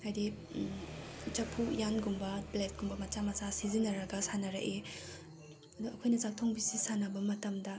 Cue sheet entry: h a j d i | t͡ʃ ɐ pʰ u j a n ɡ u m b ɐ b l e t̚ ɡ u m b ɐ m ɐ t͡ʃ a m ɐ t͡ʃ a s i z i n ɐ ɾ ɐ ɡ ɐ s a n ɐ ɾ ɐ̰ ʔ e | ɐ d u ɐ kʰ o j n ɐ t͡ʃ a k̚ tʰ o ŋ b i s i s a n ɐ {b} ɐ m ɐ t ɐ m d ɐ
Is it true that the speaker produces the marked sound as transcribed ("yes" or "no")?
yes